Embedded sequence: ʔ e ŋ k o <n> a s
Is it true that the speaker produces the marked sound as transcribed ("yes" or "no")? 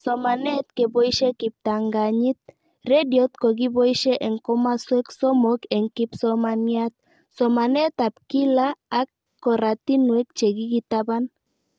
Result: no